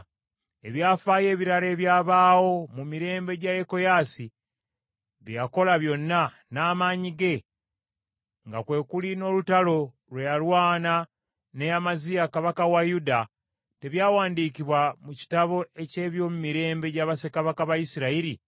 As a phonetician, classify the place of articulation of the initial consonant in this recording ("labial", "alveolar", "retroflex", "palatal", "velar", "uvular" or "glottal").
labial